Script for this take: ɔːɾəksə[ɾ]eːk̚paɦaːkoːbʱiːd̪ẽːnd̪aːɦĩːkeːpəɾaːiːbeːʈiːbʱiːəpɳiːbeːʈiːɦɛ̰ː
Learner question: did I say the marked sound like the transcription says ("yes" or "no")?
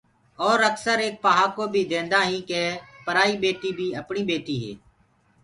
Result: yes